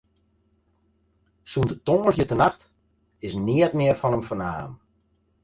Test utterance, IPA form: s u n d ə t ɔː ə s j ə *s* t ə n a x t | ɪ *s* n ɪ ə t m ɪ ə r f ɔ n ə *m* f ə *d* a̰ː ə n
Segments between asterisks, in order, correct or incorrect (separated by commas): incorrect, correct, correct, incorrect